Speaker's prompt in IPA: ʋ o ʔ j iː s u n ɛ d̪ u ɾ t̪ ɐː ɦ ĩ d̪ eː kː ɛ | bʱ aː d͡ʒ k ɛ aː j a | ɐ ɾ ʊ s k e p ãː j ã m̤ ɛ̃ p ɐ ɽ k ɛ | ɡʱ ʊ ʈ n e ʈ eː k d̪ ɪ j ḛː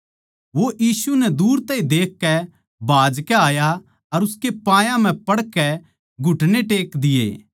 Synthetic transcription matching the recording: ʋ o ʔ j iː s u n ɛ d̪ uː ɾ t̪ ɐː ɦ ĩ d̪ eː kː ɛ | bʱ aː d͡ʒ k ɛ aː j a | ɐ ɾ ʊ s k e p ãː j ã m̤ ɛ̃ p ɐ ɽ k ɛ | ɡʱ ʊ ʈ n e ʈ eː k d̪ ɪ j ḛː

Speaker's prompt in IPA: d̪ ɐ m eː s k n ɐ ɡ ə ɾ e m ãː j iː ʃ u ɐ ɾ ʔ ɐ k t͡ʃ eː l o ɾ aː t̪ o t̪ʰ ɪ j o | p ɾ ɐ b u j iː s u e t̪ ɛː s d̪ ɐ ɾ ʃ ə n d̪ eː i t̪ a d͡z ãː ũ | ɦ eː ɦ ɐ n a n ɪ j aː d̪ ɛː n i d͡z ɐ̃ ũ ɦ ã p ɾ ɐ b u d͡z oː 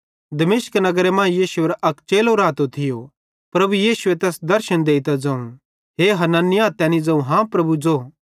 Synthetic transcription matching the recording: d̪ ɐ m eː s k n ɐ ɡ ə ɾ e m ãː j iː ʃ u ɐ ɾ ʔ ɐ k t͡ʃ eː l o ɾ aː t̪ o t̪ʰ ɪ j o | p ɾ ɐ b u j iː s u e t̪ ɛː s d̪ ɐ ɾ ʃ ə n d̪ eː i t̪ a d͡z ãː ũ | ɦ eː ɦ ɐ n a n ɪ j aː t̪ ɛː n i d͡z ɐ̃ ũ ɦ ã p ɾ ɐ b u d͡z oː

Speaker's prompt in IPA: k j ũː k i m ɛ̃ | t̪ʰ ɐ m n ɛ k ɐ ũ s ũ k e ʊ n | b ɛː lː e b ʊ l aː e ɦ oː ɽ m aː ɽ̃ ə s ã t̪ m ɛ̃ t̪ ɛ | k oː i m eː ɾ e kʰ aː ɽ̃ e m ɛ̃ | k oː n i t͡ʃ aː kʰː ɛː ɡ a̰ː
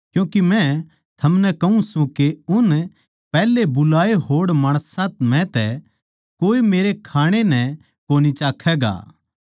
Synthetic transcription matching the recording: k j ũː k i m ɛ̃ | t̪ʰ ɐ m n ɛ k ɐ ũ s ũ k e ʊ n | p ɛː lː e b ʊ l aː e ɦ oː ɽ m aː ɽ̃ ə s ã t̪ m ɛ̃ t̪ ɛ | k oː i m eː ɾ e kʰ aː ɽ̃ e n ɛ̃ | k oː n i t͡ʃ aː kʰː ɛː ɡ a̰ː

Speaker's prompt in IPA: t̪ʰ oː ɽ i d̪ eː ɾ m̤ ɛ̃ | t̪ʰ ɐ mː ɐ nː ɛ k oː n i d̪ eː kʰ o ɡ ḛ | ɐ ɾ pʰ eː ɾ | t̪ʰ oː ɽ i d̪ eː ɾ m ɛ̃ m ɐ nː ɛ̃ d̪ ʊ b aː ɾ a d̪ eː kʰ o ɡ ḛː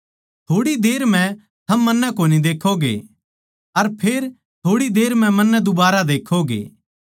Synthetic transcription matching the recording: t̪ʰ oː ɽ i d̪ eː ɾ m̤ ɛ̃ | t̪ʰ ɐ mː ɐ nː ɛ k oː n i d̪ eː kʰ o ɡ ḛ | ɐ ɾ pʰ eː ɾ | t̪ʰ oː ɽ i d̪ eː ɾ m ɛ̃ m ɐ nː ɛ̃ d̪ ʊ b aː ɾ a d̪ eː kʰ o ɡ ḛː

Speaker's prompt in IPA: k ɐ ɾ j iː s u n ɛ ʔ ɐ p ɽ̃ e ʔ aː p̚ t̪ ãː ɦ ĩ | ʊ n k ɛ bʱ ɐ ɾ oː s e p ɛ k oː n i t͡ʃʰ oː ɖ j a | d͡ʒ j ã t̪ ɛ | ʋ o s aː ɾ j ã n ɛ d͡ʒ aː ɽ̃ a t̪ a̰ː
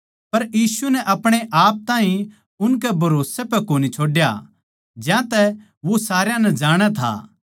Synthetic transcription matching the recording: p ɐ ɾ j iː s u n ɛ ʔ ɐ p ɽ̃ e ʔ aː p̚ t̪ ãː ɦ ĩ | ʊ n k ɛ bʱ ɐ ɾ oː s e p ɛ k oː n i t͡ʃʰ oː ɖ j a | d͡ʒ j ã t̪ ɛ | ʋ o s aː ɾ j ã n ɛ d͡ʒ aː ɽ̃ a t̪ʰ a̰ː

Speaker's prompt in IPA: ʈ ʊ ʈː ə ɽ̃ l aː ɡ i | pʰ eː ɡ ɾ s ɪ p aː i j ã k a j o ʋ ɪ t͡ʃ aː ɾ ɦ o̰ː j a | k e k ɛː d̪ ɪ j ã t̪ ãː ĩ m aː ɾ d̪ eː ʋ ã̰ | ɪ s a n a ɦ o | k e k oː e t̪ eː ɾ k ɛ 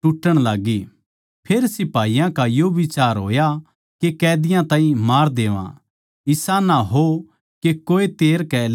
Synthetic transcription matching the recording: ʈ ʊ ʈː ə ɽ̃ l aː ɡ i | pʰ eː ɾ s ɪ p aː i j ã k a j o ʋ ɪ t͡ʃ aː ɾ ɦ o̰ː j a | k e k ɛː d̪ ɪ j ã t̪ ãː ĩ m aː ɾ d̪ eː ʋ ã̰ | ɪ s a n a ɦ o | k e k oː e t̪ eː ɾ k ɛ

